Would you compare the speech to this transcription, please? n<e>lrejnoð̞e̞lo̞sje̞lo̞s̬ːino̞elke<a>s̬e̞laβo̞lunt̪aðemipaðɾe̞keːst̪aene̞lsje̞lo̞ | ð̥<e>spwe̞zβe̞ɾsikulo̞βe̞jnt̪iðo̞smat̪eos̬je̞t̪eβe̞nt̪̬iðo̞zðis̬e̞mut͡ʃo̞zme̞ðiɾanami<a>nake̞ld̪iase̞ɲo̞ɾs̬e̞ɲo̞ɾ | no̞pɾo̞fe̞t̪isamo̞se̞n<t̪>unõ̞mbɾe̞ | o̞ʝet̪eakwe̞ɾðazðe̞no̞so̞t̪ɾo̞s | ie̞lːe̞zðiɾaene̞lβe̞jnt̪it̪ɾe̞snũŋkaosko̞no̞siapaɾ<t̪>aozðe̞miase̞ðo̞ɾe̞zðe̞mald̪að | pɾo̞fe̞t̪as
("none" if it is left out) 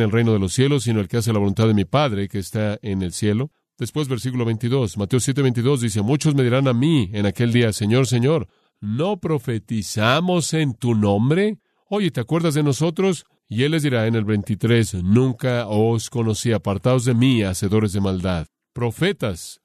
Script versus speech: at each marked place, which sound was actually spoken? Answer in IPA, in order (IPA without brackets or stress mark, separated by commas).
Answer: e, a, e, e, t̪, t̪